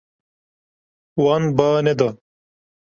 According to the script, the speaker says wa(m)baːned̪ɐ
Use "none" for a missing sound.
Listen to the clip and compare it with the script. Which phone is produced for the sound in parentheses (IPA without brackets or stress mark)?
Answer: n